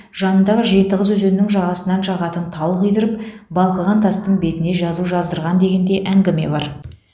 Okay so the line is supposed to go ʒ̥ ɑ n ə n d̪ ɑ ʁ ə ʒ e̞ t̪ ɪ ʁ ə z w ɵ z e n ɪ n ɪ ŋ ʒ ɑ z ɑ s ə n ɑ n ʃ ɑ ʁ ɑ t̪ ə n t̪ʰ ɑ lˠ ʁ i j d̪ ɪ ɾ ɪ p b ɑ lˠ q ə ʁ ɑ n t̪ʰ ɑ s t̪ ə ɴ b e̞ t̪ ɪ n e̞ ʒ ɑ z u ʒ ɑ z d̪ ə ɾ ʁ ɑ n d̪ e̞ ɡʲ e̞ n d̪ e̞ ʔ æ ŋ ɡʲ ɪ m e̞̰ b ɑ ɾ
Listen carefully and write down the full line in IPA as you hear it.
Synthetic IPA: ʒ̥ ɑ n ə n d̪ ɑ ʁ ə ʒ e̞ t̪ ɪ ʁ ə z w ɵ z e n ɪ n ɪ ŋ ʒ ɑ ʁ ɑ s ə n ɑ n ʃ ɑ ʁ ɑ t̪ ə n t̪ʰ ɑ lˠ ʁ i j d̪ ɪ ɾ ɪ p b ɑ lˠ q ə ʁ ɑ n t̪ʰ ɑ s t̪ ə ɴ b e̞ t̪ ɪ n e̞ ʒ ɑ z u ʒ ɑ z d̪ ə ɾ ʁ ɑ n d̪ e̞ ɡʲ e̞ n d̪ e̞ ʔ æ ŋ ɡʲ ɪ m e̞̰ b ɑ ɾ